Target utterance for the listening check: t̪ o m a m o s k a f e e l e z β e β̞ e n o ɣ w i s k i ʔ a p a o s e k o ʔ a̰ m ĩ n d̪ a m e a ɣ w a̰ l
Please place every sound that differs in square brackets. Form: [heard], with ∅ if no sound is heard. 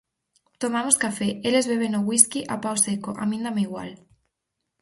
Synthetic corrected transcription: t̪ o m a m o s k a f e e l e z β e β̞ e n o ɣ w i s k i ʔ a p a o s e k o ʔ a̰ m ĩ n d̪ a m e [i] ɣ w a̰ l